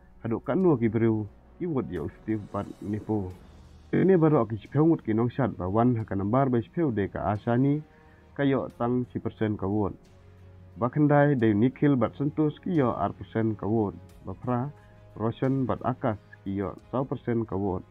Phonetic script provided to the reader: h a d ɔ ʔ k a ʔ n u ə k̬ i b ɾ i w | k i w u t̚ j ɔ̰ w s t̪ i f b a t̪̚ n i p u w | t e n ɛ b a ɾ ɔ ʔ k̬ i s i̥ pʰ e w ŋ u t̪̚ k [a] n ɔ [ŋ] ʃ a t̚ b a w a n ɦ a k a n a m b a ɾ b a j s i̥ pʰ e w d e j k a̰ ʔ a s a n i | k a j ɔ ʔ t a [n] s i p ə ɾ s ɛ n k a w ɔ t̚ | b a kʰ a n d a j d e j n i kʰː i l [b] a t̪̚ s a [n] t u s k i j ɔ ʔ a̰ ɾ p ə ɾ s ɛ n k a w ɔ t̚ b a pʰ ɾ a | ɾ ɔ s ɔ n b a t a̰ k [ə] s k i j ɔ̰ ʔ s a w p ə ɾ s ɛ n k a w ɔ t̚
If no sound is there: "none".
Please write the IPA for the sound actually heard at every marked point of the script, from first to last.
i, ŋ, ŋ, b, n, a

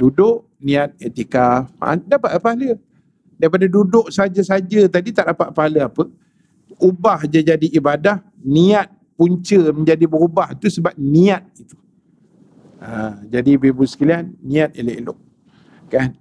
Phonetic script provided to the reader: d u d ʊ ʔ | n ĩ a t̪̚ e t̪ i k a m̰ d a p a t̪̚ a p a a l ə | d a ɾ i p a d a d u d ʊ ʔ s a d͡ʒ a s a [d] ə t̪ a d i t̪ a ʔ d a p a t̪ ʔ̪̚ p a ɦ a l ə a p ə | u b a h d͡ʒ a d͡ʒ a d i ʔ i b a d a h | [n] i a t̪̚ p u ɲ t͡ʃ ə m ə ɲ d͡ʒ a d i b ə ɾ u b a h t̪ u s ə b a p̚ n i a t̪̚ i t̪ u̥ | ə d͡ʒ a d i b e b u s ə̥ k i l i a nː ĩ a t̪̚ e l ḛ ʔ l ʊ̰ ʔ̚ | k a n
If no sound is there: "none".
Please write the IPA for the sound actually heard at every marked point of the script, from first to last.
d͡ʒ, n

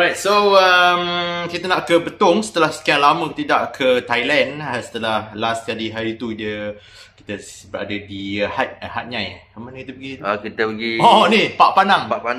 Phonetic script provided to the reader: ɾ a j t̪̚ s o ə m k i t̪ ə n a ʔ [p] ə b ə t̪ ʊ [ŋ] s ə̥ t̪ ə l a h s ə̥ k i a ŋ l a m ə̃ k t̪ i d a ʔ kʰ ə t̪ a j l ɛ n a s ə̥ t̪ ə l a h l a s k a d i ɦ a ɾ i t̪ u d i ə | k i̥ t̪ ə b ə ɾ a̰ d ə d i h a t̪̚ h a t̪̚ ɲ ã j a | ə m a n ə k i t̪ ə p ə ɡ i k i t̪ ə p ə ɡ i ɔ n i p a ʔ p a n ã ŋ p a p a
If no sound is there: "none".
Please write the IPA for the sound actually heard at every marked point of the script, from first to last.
k, ŋ

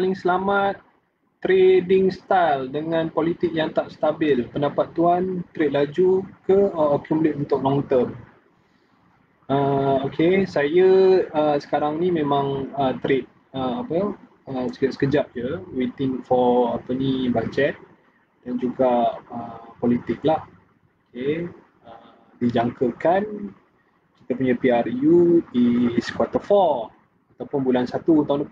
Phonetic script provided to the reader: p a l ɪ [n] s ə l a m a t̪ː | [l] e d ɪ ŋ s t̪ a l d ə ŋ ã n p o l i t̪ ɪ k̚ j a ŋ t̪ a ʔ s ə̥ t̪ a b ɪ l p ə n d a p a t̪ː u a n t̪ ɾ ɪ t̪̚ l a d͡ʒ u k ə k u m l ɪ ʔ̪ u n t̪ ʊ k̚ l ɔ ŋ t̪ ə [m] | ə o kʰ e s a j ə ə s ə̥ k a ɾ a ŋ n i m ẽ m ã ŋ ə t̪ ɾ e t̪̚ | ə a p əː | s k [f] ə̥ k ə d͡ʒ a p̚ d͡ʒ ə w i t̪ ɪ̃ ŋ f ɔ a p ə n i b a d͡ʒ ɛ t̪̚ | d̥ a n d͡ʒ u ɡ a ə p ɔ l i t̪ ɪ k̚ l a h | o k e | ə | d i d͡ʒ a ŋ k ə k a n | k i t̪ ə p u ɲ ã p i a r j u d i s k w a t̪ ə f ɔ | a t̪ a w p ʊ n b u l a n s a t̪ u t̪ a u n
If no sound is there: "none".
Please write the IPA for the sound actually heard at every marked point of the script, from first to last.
ŋ, ɾ, m, s

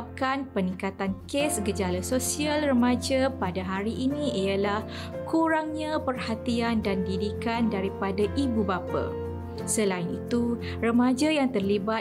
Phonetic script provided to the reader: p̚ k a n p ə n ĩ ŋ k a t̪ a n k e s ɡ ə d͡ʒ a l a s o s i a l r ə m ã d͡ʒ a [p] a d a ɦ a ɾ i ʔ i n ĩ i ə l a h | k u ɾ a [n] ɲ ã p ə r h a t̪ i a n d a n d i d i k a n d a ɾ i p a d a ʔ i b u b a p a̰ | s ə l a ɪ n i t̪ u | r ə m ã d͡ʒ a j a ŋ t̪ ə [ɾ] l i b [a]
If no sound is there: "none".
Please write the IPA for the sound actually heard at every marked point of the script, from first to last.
p, ŋ, r, a

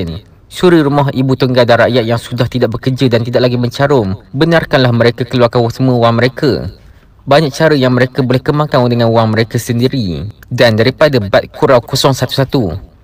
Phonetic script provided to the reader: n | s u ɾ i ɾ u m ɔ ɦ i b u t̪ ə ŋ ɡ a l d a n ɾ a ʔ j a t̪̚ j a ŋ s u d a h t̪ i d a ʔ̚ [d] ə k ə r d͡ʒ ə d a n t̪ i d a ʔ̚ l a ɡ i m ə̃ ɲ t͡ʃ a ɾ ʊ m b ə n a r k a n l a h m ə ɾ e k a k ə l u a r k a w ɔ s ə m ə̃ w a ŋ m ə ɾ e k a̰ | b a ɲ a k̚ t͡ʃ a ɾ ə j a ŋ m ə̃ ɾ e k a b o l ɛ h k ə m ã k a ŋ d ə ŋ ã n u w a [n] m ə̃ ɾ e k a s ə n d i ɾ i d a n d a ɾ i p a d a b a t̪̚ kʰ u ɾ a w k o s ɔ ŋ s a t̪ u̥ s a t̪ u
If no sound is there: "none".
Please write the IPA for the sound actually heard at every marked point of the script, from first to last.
b, ŋ

